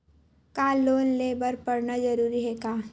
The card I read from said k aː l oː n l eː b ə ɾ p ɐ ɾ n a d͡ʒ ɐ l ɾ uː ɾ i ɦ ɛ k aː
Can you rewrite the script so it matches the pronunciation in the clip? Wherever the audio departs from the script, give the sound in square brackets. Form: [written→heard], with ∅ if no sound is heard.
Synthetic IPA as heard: k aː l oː n l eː b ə ɾ p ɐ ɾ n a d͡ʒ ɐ [l→∅] ɾ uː ɾ i ɦ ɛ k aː